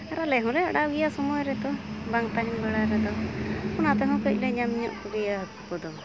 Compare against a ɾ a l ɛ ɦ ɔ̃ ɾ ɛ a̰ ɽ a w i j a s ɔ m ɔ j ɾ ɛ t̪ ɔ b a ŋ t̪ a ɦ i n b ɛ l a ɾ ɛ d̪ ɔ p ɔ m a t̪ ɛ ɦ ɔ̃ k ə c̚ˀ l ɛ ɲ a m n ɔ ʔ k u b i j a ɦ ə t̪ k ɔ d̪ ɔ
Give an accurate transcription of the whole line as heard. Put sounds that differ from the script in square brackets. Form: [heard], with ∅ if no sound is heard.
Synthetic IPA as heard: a ɾ a l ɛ ɦ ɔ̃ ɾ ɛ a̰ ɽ a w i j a s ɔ m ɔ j ɾ ɛ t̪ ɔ b a ŋ t̪ a ɦ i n b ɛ [ɽ] a ɾ ɛ d̪ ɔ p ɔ [n] a t̪ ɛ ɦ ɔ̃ k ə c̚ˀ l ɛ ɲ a m [ɲ] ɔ ʔ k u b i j a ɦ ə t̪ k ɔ d̪ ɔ